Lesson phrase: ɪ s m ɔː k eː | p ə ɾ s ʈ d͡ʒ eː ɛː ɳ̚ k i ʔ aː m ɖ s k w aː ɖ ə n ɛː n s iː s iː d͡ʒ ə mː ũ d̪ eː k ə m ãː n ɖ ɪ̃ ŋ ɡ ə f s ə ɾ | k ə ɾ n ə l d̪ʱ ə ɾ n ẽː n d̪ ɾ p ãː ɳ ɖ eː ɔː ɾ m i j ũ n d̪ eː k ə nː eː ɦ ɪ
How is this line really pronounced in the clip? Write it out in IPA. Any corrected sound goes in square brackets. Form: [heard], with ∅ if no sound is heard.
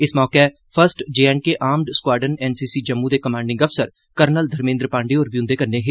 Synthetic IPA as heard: ɪ s m ɔː k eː | [pʰ] ə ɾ s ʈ d͡ʒ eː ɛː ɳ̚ k [e] ʔ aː m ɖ s k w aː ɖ ə n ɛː n s iː s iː d͡ʒ ə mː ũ d̪ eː k ə m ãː [ɳ] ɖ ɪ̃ ŋ ɡ ə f s ə ɾ | k ə ɾ n ə l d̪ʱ ə ɾ [m] ẽː n d̪ ɾ p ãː ɳ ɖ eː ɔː ɾ [b] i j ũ n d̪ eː k ə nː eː ɦ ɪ